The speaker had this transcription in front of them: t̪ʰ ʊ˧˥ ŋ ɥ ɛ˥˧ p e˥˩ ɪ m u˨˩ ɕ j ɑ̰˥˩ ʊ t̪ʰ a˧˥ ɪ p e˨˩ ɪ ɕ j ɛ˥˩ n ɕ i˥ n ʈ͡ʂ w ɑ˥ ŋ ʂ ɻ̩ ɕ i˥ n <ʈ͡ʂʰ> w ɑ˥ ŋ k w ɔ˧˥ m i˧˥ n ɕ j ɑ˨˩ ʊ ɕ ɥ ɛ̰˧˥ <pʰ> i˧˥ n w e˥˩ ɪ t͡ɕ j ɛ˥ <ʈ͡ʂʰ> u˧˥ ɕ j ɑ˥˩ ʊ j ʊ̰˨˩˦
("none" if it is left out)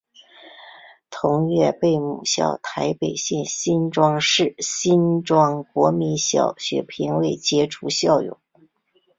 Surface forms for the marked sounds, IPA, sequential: ʈ͡ʂ, pʰ, ʈ͡ʂʰ

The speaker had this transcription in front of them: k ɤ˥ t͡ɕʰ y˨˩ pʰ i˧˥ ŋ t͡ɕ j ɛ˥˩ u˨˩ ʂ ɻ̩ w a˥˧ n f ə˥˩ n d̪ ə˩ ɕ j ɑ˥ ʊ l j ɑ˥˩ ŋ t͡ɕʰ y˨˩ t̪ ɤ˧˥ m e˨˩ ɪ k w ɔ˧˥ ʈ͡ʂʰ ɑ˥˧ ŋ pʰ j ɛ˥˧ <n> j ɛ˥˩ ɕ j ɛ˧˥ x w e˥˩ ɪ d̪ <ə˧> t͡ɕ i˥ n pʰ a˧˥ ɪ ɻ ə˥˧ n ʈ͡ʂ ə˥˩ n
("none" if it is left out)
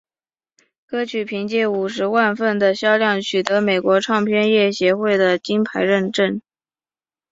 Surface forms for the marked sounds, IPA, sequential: n, ə˩

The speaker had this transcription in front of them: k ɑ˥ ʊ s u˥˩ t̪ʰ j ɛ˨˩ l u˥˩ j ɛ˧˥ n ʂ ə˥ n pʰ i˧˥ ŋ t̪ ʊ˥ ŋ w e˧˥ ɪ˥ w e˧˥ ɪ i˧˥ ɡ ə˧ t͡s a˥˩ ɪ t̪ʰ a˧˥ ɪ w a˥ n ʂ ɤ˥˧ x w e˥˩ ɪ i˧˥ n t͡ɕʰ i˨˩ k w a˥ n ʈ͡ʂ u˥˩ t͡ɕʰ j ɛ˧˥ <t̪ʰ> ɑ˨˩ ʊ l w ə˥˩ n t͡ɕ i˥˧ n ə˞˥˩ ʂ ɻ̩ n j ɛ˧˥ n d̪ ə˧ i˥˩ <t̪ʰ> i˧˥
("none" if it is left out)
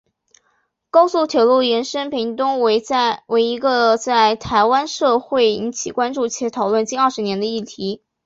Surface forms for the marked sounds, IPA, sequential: t̪ʰ, t̪ʰ

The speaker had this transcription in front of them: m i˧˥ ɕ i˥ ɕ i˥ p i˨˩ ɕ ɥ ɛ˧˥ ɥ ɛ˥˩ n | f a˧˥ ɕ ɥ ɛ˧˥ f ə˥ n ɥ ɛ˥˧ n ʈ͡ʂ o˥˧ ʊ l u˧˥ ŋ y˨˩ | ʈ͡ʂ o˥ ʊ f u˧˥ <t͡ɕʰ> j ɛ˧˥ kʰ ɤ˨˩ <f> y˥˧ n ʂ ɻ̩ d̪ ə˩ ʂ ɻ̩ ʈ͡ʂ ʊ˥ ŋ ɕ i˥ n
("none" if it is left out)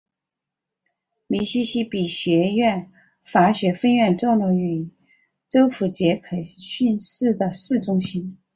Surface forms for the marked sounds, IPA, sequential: t͡ɕ, ɕ

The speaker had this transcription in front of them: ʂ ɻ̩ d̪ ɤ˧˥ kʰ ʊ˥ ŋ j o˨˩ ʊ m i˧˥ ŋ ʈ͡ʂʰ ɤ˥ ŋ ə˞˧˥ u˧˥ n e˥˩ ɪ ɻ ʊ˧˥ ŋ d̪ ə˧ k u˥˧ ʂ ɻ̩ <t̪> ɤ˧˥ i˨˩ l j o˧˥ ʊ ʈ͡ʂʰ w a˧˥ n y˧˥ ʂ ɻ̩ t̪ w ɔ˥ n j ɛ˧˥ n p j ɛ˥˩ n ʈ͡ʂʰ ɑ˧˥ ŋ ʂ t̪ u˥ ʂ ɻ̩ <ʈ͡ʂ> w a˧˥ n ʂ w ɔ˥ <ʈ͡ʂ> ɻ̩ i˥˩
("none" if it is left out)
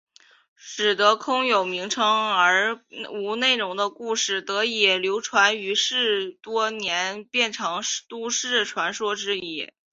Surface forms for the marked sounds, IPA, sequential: t̪, ʈ͡ʂʰ, ʈ͡ʂ

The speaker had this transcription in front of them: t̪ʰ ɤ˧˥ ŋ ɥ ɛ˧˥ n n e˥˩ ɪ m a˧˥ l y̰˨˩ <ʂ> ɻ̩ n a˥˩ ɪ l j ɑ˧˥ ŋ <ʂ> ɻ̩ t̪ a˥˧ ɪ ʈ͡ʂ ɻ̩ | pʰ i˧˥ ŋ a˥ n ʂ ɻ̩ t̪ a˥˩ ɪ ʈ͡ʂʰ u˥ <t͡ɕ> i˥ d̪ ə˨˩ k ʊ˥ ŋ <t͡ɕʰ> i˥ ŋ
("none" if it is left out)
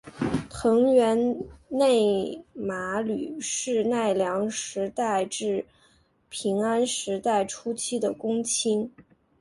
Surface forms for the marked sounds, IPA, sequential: ʂ, ʂ, t͡ɕʰ, t͡ɕʰ

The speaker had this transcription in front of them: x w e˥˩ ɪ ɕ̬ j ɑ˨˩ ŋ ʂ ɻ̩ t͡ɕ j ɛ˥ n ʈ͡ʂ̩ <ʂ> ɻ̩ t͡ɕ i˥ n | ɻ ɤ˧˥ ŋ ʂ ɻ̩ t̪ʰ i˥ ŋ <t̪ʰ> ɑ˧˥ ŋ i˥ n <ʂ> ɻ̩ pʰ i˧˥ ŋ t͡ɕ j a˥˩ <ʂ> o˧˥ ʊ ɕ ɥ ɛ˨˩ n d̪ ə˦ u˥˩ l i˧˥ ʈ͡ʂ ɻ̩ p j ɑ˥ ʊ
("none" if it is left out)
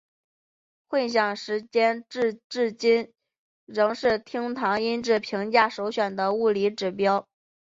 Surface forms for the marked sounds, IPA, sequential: ʈ͡ʂ, t̪ʰ, ʈ͡ʂ, ʂ

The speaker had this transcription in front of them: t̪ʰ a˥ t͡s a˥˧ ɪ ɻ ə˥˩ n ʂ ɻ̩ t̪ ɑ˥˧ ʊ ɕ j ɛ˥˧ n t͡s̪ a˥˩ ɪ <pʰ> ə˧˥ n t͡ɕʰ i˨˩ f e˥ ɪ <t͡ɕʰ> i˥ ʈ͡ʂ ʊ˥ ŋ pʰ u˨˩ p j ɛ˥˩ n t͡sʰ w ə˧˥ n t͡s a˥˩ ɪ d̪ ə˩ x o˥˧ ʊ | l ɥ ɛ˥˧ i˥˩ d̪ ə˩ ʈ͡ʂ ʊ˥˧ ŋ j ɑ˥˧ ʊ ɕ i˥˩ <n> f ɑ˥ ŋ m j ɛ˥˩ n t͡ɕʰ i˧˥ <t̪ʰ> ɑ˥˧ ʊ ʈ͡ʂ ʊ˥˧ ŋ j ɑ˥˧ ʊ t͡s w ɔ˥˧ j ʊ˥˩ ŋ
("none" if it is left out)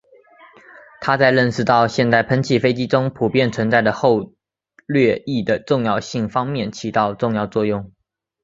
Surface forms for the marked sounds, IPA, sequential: pʰ, t͡ɕ, ŋ, t̪

